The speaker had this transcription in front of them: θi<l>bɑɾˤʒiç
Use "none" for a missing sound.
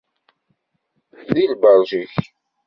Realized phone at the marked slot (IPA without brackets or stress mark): l